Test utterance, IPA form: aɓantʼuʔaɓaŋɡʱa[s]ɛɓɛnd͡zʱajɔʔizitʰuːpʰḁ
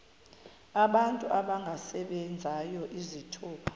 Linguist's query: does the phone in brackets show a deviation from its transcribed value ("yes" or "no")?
no